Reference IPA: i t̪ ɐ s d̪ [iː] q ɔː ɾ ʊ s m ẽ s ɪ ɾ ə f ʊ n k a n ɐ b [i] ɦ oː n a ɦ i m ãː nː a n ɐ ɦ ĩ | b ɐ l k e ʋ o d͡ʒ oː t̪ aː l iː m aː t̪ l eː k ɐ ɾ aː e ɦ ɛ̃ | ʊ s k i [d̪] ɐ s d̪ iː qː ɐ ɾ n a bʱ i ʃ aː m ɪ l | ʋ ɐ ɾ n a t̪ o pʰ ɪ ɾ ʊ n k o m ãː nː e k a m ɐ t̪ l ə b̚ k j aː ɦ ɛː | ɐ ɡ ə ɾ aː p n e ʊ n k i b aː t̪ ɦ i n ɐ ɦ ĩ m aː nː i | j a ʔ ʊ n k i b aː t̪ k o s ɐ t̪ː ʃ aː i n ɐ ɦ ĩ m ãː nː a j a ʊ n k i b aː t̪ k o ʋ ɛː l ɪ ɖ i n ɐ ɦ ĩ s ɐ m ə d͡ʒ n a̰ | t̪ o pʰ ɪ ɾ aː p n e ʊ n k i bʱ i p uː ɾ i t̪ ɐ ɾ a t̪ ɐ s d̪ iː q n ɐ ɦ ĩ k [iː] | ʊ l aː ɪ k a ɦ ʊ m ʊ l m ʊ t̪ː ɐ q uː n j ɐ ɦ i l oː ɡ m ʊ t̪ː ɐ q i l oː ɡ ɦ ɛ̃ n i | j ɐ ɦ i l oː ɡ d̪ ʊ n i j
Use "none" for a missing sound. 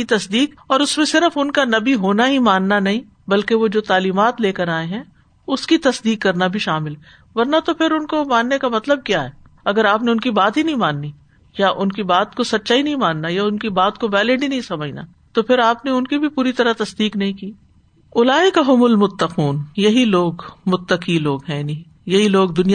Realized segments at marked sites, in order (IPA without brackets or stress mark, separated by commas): iː, i, t̪, iː